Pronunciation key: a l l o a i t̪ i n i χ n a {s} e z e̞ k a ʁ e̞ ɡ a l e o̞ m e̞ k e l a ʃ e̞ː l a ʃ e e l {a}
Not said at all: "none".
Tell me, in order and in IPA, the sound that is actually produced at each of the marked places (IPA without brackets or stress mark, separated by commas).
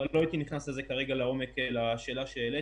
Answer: s, e